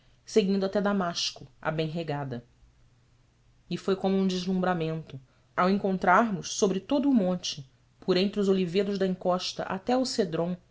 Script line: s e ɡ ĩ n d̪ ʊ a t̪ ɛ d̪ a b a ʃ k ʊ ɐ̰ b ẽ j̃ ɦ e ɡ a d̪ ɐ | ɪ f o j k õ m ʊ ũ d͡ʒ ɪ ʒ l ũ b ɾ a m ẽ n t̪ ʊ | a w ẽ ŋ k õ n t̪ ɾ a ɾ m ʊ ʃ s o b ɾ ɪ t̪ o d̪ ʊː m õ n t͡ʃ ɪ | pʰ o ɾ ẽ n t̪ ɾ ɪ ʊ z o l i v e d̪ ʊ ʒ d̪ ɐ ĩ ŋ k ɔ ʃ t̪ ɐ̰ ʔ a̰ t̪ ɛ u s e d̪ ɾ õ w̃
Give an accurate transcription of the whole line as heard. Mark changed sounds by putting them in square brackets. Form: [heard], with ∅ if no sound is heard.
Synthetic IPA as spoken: s e ɡ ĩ n d̪ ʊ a t̪ ɛ d̪ a [m] a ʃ k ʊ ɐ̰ b ẽ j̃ ɦ e ɡ a d̪ ɐ | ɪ f o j k õ m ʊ ũ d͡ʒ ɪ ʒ l ũ b ɾ a m ẽ n t̪ ʊ | a w ẽ ŋ k õ n t̪ ɾ a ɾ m ʊ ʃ s o b ɾ ɪ t̪ o d̪ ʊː m õ n t͡ʃ ɪ | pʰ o ɾ ẽ n t̪ ɾ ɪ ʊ z o l i v e d̪ ʊ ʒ d̪ ɐ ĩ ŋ k ɔ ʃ t̪ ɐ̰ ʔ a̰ t̪ ɛ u s e d̪ ɾ õ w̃